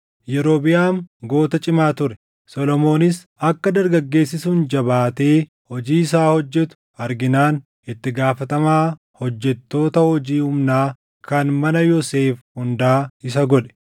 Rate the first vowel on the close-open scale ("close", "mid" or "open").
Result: mid